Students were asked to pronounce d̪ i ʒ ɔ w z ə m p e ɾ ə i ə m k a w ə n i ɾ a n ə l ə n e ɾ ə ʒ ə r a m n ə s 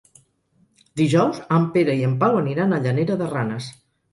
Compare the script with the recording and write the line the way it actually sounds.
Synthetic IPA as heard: d̪ i ʒ ɔ w z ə m p e ɾ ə i ə m p a w ə n i ɾ a n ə ʎ ə n e ɾ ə ð ə r a n ə s